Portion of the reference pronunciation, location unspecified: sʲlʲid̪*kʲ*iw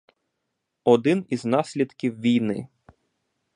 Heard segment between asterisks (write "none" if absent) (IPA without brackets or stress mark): kʲ